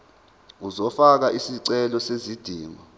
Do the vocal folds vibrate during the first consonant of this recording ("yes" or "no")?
yes